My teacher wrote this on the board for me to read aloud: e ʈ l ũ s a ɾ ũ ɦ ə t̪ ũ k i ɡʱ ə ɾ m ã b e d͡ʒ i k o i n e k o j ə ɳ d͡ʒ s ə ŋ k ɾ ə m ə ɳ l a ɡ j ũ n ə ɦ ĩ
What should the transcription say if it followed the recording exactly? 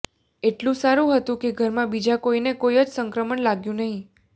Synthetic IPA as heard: e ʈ l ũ s a ɾ ũ ɦ ə t̪ ũ k e ɡʱ ə ɾ m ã b i d͡ʒ a k o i n e k o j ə d͡ʒ s ə ŋ k ɾ ə m ə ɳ l a ɡ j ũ n ə ɦ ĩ